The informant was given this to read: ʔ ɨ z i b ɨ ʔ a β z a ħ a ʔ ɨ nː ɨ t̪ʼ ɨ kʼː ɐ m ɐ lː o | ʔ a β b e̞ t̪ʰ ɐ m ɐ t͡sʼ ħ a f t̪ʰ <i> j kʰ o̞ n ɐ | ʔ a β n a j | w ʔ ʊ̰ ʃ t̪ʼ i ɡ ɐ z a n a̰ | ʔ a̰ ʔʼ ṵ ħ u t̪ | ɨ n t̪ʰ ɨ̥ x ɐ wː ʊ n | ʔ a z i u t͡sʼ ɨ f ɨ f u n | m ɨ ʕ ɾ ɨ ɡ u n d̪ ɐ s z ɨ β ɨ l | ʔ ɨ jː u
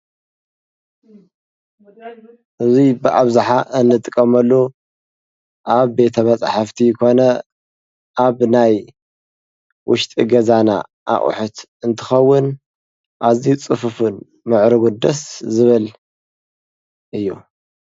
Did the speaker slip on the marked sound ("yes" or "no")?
no